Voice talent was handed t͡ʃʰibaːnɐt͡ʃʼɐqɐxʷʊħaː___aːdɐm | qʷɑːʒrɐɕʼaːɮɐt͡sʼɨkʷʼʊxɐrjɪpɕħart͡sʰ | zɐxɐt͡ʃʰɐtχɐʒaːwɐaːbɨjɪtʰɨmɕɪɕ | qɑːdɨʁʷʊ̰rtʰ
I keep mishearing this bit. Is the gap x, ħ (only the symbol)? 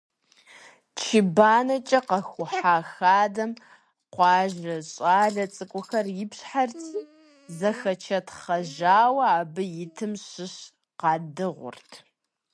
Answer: x